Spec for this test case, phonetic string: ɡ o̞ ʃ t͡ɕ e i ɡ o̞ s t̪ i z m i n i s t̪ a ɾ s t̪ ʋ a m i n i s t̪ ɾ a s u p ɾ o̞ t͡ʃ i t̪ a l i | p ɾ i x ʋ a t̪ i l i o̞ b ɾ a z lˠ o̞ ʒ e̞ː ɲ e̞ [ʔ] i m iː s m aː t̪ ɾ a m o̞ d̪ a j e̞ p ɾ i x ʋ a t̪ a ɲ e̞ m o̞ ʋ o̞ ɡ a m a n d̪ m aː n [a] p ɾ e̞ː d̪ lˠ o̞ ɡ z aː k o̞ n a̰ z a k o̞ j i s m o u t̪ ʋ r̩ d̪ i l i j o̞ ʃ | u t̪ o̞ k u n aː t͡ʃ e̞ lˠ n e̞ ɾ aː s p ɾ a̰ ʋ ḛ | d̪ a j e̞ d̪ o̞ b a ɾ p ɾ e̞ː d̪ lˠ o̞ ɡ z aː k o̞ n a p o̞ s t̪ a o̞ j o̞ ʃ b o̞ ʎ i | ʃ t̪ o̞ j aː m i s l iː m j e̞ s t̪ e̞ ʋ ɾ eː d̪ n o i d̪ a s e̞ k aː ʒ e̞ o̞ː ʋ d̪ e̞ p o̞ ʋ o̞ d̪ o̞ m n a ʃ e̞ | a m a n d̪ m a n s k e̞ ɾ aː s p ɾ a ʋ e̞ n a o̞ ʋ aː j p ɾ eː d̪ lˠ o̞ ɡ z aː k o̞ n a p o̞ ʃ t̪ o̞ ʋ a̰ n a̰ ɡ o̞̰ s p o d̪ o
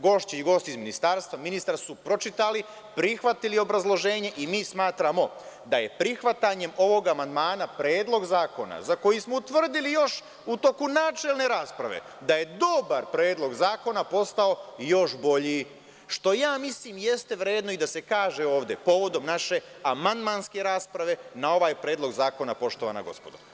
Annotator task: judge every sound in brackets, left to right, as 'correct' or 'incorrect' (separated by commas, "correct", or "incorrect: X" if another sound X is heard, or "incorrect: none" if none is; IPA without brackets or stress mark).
correct, correct